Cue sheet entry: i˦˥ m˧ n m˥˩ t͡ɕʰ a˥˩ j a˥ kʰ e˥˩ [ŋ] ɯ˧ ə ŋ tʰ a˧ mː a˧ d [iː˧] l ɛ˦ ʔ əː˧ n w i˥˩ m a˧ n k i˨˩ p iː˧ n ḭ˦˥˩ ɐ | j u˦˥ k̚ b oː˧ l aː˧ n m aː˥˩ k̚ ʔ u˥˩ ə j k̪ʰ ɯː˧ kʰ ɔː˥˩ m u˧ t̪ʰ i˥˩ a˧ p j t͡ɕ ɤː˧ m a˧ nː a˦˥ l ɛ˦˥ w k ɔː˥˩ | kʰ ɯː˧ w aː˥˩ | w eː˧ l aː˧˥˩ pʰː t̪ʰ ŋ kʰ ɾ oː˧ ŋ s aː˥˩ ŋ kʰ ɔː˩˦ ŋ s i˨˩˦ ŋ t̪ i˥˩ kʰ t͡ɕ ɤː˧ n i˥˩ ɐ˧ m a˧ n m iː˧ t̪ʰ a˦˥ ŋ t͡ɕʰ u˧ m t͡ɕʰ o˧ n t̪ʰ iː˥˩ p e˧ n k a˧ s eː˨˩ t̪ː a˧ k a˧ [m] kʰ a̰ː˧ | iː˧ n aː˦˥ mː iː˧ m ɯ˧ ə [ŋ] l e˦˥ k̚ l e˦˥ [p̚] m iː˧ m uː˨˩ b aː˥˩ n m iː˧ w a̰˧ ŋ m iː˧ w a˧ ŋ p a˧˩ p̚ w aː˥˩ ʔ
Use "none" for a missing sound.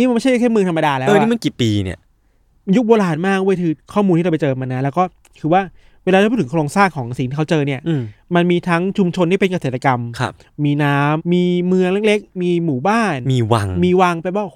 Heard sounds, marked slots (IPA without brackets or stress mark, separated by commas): m, aː˧, m, ŋ, k̚